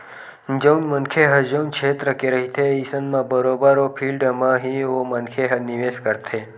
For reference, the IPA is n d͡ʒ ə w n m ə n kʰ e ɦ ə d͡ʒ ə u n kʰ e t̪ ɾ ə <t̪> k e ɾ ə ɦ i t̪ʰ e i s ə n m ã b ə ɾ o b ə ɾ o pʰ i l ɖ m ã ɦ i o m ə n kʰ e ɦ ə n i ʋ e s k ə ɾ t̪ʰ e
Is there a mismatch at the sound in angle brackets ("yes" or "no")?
yes